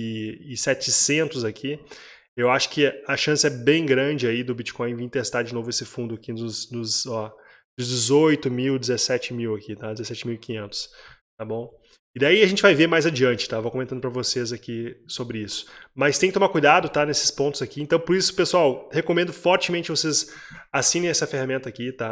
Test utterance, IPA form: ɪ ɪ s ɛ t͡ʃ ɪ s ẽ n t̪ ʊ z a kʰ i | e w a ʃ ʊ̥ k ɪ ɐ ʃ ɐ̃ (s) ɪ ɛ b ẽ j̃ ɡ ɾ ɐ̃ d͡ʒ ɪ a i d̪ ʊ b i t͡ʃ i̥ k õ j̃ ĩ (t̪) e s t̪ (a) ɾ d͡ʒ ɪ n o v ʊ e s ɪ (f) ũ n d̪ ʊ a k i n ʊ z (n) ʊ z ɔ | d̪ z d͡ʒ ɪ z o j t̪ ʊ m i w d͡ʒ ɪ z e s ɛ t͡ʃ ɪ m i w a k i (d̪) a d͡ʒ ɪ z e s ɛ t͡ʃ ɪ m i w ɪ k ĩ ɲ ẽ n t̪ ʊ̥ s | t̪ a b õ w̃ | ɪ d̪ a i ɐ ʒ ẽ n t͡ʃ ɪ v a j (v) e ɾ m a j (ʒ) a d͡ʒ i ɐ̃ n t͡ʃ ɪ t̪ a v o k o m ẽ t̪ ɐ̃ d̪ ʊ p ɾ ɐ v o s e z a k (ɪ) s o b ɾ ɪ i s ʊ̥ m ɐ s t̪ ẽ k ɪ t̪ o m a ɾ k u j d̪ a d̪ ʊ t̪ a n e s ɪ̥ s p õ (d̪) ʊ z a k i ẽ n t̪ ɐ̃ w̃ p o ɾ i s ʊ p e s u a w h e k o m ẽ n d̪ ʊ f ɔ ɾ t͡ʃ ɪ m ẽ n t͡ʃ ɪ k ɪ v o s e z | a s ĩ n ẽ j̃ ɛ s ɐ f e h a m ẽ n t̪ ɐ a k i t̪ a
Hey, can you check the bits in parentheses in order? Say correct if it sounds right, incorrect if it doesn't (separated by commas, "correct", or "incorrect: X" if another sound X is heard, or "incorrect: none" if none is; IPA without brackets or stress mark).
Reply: correct, correct, correct, correct, correct, incorrect: t̪, correct, incorrect: z, incorrect: i, incorrect: t̪